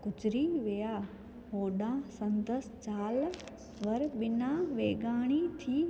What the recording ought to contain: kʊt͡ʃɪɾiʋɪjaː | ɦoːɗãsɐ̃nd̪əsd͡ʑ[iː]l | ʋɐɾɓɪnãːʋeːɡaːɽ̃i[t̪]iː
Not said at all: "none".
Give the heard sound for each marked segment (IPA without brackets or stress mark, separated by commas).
aː, t̪ʰ